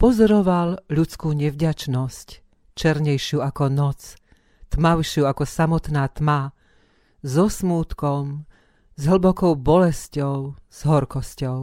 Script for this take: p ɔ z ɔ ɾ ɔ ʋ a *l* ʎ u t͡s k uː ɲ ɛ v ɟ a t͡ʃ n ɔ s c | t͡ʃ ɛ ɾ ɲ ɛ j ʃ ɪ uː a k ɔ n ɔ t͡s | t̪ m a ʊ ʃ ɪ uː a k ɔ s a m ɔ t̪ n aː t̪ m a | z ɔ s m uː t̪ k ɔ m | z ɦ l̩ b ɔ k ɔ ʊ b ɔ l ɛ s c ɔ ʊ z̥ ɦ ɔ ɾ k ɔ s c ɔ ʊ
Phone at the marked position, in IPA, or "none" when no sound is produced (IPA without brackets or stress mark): l